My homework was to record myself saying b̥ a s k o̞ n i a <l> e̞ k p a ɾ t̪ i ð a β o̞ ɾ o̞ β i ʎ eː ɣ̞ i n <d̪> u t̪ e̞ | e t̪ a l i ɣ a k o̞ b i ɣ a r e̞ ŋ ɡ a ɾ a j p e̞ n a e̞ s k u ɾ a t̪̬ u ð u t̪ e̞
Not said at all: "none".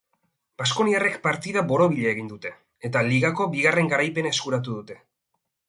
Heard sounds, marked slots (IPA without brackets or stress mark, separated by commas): r, d̪